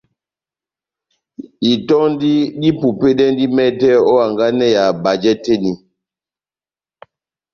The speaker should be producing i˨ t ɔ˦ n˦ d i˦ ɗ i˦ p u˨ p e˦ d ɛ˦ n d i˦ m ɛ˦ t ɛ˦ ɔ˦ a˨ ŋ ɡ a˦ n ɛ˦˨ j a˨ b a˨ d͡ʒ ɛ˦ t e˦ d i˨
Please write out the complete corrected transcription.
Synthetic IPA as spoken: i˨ t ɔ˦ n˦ d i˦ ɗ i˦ p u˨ p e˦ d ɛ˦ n d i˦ m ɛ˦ t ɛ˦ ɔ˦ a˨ ŋ ɡ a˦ n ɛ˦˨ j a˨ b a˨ d͡ʒ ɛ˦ t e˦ n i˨